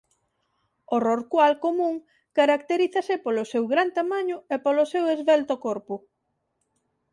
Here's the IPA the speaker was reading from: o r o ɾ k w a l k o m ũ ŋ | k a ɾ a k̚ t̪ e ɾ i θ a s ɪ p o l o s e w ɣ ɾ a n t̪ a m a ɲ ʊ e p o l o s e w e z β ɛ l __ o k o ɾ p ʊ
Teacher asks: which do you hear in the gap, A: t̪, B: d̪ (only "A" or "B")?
A